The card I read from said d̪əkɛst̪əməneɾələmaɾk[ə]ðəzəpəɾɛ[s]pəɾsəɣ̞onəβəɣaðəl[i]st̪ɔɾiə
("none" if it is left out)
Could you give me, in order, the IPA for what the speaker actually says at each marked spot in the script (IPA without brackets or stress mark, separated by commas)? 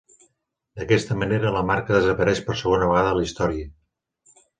ə, ʃ, i